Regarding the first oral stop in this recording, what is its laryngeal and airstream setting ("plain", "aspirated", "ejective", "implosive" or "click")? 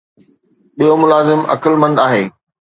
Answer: implosive